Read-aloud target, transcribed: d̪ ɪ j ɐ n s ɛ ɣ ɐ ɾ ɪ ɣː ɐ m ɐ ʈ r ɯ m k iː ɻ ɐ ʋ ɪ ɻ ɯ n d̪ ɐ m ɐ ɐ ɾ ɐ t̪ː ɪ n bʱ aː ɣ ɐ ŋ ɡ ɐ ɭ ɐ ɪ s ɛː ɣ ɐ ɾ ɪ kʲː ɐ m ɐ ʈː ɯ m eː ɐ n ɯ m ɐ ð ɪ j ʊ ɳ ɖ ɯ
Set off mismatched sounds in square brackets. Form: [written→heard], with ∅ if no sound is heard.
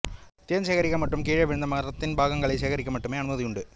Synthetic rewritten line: [d̪→t̪] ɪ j ɐ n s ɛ ɣ ɐ ɾ ɪ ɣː ɐ m ɐ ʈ r ɯ m k iː ɻ ɐ ʋ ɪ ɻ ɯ n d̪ ɐ m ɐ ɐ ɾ ɐ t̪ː ɪ n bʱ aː ɣ ɐ ŋ ɡ ɐ ɭ ɐ ɪ s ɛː ɣ ɐ ɾ ɪ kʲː ɐ m ɐ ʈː ɯ m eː ɐ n ɯ m ɐ ð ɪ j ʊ ɳ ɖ ɯ